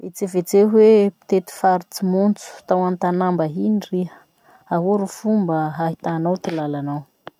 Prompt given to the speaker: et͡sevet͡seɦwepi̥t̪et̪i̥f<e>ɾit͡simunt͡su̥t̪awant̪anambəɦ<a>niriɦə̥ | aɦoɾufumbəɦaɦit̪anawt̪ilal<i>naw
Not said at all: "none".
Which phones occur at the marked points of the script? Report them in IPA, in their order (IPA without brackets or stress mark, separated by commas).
a, i, a